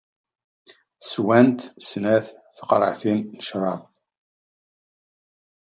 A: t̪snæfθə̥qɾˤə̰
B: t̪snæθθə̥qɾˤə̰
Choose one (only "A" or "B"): B